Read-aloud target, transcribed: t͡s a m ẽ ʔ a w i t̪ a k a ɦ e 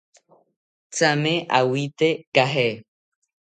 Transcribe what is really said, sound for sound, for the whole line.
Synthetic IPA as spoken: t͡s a m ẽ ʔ a w i t̪ e k a ɦ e